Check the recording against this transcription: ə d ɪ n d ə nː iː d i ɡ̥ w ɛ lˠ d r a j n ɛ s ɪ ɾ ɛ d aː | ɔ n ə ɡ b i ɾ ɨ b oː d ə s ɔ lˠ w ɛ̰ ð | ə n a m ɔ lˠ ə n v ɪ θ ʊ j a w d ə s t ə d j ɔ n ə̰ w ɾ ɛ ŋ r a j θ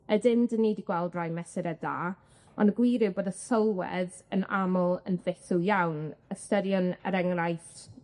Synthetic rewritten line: ə d ɪ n d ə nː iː d i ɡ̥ w ɛ lˠ d r a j m ɛ s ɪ ɾ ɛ d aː | ɔ n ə ɡ w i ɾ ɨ b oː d ə s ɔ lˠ w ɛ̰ ð | ə n a m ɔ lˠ ə n v ɪ θ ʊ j a w n ə s t ə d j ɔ n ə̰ ɾ ɛ ŋ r a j θ